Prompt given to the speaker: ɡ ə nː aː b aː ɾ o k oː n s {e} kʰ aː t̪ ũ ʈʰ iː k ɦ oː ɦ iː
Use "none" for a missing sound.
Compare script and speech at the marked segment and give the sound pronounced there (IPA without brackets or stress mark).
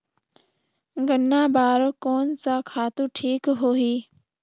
a